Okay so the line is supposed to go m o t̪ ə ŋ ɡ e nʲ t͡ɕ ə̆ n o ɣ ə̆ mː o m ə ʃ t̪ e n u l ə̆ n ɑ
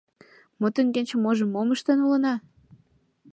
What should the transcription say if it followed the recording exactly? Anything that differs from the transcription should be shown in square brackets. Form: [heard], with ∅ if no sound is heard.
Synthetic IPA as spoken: m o t̪ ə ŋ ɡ e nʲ t͡ɕ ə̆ [m] o [ʒ] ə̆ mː o m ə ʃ t̪ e n u l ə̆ n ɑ